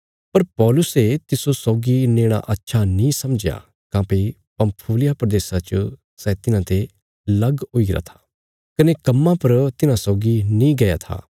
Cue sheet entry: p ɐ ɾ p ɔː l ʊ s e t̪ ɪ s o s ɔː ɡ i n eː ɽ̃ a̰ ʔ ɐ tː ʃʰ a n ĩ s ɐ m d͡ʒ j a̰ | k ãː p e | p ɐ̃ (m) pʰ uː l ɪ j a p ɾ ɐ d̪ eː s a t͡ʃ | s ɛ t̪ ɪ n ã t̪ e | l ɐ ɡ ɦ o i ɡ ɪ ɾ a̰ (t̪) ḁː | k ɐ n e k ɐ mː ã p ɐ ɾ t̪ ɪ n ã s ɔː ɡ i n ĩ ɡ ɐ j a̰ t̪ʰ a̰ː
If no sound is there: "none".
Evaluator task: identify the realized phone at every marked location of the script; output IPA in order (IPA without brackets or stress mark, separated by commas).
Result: m, t̪ʰ